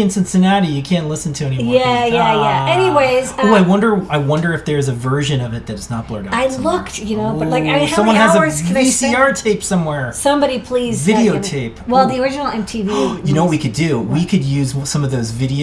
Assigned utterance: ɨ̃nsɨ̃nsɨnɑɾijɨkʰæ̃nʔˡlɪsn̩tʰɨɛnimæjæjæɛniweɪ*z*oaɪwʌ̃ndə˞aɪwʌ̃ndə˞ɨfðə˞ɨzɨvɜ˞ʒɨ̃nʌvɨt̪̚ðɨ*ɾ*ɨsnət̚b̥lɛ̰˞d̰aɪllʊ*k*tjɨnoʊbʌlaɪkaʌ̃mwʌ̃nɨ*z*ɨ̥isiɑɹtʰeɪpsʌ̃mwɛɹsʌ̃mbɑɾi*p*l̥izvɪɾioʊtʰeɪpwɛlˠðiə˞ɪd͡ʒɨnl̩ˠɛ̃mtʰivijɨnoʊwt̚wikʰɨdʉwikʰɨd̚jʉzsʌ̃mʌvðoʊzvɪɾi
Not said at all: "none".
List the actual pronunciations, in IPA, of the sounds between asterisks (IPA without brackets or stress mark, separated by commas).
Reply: z, ɾ, k, z, pʰ